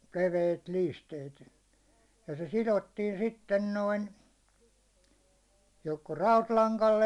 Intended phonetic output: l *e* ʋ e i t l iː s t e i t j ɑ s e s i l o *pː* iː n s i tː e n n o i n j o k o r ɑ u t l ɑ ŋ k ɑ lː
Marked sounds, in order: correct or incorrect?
correct, incorrect: tː

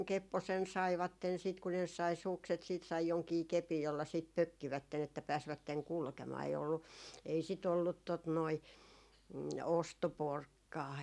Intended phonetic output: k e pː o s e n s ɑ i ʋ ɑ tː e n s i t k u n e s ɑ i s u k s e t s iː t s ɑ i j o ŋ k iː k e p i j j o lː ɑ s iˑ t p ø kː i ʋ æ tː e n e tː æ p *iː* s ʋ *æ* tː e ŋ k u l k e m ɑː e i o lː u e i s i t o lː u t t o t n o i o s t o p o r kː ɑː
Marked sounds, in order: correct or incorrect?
incorrect: æː, correct

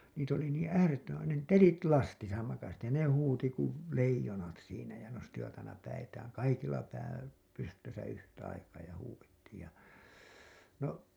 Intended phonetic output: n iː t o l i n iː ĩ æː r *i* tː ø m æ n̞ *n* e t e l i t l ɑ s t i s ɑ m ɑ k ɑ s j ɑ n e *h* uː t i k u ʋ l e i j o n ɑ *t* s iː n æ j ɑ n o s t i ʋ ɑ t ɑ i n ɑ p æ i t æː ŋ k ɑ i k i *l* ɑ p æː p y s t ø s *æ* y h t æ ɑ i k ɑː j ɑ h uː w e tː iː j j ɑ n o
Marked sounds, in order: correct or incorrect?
incorrect: e, correct, correct, correct, incorrect: lː, correct

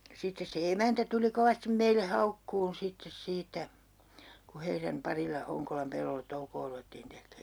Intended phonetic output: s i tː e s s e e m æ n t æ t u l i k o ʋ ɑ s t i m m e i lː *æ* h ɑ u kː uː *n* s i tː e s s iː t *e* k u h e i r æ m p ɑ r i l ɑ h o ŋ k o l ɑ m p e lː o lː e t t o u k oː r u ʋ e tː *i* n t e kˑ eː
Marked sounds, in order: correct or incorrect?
incorrect: e, correct, incorrect: æ, incorrect: iː

